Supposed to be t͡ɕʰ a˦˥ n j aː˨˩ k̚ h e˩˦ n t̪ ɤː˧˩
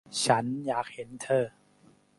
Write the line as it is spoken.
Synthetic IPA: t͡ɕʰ a˦˥ n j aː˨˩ k̚ h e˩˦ n t̪ʰ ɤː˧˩